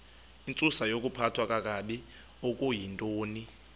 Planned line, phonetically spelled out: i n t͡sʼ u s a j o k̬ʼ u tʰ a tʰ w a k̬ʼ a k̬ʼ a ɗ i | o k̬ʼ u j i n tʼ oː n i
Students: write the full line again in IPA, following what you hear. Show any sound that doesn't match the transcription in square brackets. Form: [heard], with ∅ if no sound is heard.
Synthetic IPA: i n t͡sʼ u s a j o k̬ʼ u [pʰ] a tʰ w a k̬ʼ a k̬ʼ a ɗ i | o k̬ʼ u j i n tʼ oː n i